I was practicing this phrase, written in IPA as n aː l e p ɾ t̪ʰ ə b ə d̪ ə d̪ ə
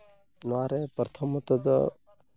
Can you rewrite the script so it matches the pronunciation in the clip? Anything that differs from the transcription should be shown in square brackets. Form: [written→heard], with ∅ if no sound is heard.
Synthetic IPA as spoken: n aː [l→ɾ] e p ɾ t̪ʰ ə [b→m] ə [d̪→t̪] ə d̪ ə